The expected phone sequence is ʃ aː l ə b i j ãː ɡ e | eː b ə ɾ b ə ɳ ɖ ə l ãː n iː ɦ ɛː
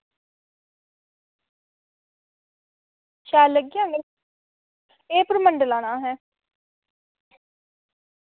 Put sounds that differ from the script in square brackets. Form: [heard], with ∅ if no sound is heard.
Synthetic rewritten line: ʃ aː l ə [ɡ] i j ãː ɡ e | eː [p] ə ɾ [m] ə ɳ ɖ ə l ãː n [aː] ɦ ɛː